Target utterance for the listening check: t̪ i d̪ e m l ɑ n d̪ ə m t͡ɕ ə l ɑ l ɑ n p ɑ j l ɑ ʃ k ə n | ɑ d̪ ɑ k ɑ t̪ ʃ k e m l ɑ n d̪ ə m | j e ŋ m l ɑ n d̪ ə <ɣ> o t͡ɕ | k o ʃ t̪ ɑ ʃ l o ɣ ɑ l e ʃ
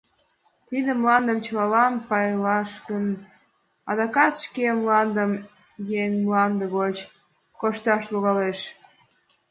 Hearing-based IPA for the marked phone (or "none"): ɣ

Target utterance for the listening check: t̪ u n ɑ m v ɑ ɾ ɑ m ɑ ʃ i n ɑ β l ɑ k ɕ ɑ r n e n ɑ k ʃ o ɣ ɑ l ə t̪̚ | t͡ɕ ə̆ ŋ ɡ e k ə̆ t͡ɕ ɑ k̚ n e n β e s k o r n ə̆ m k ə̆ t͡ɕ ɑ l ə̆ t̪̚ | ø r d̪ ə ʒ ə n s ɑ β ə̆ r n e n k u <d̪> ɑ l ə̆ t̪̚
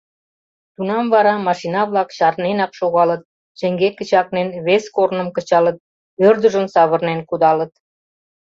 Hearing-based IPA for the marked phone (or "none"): d̪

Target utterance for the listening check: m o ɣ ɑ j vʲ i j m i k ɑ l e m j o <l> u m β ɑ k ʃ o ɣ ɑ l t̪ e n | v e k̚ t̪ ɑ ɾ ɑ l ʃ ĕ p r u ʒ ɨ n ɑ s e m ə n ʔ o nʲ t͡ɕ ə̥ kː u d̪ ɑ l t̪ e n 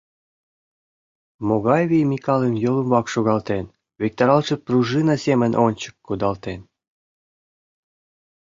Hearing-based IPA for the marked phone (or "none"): l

